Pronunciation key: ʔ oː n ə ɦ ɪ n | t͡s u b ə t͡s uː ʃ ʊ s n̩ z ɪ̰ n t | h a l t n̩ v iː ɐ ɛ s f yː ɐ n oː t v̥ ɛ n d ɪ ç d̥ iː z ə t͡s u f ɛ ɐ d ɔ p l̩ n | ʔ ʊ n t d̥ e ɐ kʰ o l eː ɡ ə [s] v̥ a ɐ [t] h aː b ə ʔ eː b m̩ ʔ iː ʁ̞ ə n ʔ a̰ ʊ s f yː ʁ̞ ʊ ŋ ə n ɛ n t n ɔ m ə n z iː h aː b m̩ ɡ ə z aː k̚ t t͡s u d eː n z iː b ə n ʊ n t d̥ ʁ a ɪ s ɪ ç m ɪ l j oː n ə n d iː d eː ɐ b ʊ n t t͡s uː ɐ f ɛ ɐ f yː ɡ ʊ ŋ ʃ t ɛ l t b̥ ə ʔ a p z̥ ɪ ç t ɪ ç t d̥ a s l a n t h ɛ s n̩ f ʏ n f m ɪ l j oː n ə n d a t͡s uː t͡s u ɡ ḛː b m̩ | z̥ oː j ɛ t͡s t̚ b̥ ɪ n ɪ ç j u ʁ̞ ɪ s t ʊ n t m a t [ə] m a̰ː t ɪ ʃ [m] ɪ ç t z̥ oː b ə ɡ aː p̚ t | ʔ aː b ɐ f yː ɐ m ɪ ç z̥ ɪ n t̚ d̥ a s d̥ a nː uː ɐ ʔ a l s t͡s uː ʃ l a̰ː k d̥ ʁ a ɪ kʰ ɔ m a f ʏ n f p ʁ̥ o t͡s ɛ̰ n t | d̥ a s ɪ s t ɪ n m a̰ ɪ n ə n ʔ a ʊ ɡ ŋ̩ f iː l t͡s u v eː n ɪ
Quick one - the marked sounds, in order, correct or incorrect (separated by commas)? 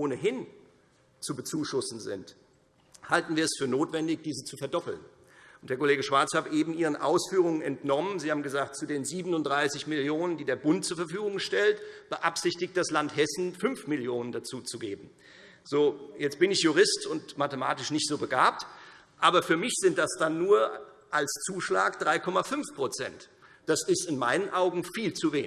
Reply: incorrect, incorrect, correct, incorrect